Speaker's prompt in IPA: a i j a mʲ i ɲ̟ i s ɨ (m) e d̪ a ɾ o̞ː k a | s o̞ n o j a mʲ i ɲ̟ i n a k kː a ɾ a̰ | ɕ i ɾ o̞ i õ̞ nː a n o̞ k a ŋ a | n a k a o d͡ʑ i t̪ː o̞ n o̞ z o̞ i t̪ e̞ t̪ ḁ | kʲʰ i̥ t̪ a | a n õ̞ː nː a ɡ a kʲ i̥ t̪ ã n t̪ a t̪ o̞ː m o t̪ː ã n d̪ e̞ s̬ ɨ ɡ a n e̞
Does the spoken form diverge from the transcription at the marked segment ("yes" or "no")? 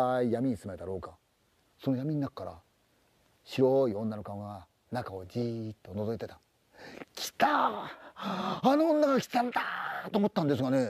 no